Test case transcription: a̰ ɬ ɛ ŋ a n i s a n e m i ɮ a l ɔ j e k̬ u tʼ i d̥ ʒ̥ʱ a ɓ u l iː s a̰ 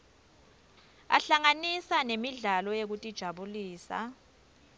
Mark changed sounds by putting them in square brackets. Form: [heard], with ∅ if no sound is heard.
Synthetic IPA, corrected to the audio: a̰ ɬ [a] ŋ a n i s a n e m i ɮ a l ɔ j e k̬ u tʼ i d̥ ʒ̥ʱ a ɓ u l iː s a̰

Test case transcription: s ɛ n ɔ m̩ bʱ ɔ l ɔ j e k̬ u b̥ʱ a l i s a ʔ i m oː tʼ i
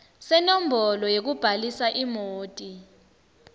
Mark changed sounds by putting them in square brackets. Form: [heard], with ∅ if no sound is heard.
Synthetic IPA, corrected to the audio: s ɛ n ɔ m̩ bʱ ɔ l ɔ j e k̬ u b̥ʱ a l i s a ʔ i m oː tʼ i

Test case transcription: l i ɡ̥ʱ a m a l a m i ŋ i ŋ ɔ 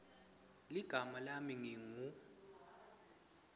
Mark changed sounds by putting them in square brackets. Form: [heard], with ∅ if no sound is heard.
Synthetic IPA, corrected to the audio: l i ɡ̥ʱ a m a l a m i ŋ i ŋ [u]

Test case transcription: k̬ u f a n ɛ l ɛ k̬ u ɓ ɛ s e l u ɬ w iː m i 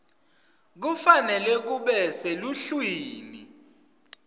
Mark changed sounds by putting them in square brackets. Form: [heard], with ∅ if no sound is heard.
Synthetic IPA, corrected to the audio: k̬ u f a n ɛ l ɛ k̬ u ɓ ɛ s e l u ɬ w iː [n] i

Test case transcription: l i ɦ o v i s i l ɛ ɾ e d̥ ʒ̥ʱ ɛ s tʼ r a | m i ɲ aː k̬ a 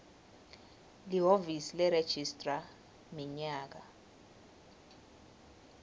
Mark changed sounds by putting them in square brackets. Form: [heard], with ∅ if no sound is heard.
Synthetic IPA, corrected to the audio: l i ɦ o v i s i l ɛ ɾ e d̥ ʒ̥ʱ [i] s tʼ r a | m i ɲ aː k̬ a

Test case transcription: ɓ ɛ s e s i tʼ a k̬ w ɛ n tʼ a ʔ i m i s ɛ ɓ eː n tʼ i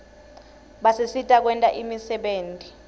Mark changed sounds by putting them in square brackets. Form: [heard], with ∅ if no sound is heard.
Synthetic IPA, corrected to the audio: ɓ [a] s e s i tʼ a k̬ w ɛ n tʼ a ʔ i m i s ɛ ɓ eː n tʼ i

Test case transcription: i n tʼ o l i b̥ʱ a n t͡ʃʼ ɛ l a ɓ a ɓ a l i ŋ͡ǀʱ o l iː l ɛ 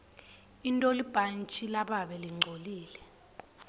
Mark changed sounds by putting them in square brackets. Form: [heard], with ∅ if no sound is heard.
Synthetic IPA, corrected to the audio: i n tʼ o l i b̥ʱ a n t͡ʃʼ [i] l a ɓ a ɓ [ɛ] l i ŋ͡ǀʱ o l iː l ɛ

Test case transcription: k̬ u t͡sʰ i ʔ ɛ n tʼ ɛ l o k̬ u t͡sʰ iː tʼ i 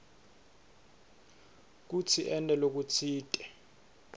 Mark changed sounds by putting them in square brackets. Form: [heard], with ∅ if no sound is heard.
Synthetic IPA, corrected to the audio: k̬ u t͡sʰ i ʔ ɛ n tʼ ɛ l o k̬ u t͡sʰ iː tʼ [ɛ]

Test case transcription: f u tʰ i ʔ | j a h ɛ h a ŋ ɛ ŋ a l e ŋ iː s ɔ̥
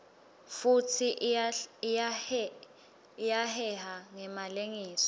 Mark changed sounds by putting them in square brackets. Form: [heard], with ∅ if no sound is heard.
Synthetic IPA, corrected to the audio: f u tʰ i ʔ | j a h ɛ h a ŋ ɛ [m] a l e ŋ iː s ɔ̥

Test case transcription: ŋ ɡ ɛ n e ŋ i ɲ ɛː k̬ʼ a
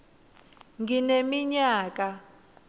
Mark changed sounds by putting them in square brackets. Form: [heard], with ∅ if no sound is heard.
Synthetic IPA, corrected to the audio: ŋ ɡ [i] n e [m] i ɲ [aː] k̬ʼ a

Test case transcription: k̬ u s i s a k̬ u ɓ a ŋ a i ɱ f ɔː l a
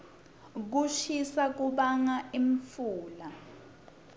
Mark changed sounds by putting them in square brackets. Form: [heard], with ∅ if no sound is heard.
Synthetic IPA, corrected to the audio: k̬ u [ʃ] i s a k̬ u ɓ a ŋ a i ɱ f [uː] l a

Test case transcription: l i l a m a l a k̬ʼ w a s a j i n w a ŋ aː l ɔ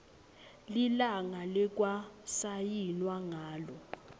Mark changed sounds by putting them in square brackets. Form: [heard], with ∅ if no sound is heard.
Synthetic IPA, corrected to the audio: l i l a [ŋ] a l [ɛ] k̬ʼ w a s a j i n w a ŋ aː l ɔ

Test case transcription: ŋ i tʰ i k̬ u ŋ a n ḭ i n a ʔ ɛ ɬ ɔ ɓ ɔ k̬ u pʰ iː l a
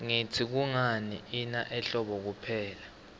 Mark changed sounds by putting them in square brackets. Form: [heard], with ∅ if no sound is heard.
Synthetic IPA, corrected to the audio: ŋ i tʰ i k̬ u ŋ a n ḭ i n a ʔ ɛ ɬ ɔ ɓ ɔ k̬ u pʰ [ɛː] l a

